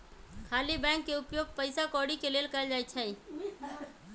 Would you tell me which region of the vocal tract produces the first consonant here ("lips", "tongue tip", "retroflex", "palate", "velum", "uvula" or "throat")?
velum